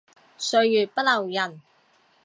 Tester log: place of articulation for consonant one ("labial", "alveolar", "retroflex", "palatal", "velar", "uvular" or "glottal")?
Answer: alveolar